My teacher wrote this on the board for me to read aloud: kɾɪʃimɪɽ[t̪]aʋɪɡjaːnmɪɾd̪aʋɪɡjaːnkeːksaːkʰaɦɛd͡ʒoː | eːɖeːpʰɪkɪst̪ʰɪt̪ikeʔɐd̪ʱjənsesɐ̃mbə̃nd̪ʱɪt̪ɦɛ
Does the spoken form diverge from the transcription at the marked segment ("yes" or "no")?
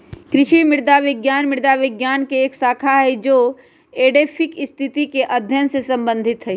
yes